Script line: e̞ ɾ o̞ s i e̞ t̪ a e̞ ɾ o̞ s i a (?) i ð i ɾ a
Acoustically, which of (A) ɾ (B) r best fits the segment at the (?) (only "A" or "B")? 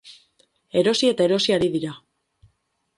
A